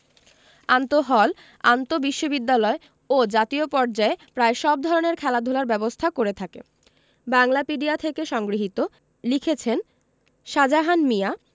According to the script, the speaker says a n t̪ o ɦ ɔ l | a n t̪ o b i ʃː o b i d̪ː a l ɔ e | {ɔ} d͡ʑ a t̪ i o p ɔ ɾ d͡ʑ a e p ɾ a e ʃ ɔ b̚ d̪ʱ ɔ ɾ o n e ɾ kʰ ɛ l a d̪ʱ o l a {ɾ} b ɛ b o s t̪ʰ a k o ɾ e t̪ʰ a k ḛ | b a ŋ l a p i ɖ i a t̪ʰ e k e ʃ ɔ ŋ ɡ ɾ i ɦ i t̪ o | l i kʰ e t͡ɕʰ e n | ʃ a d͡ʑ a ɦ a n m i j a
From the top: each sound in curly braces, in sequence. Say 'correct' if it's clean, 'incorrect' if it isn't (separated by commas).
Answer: incorrect, correct